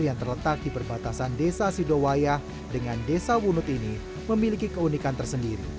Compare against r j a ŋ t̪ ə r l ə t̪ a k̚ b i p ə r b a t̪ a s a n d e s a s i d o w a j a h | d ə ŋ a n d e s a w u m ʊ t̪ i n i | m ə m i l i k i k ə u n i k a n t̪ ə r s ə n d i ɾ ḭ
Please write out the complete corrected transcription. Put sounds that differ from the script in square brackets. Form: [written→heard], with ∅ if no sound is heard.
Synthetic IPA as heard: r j a ŋ t̪ ə r l ə t̪ a k̚ [b→d] i p ə r b a t̪ a s a n d e s a s i d o w a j a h | d ə ŋ a n d e s a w u [m→n] ʊ t̪ i n i | m ə m i l i k i k ə u n i k a n t̪ ə r s ə n d i ɾ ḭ